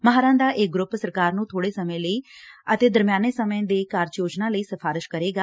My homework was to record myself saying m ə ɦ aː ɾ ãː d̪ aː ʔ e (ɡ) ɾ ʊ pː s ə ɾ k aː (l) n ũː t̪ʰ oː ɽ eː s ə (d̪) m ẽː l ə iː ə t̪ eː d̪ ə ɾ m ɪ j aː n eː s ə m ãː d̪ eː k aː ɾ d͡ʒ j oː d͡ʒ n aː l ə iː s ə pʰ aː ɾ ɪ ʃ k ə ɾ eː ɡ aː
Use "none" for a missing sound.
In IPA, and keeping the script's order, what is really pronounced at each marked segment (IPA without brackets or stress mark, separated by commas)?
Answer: ɡ, ɾ, none